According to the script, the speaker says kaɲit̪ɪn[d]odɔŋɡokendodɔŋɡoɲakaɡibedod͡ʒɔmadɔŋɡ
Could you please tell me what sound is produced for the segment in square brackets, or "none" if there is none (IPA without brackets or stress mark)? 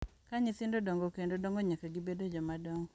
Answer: d